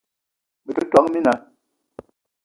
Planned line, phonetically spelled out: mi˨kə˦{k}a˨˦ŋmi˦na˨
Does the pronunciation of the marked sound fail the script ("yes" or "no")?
yes